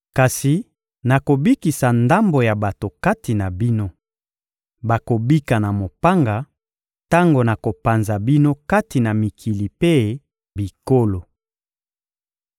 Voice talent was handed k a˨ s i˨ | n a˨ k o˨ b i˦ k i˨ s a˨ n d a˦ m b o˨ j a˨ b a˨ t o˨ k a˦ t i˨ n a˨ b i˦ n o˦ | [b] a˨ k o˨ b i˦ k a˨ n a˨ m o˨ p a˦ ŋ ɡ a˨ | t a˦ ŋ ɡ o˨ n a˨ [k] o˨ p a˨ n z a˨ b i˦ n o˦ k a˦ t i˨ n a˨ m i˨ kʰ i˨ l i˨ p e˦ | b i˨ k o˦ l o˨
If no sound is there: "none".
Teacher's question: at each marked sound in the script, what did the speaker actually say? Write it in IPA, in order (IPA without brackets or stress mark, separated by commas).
b, k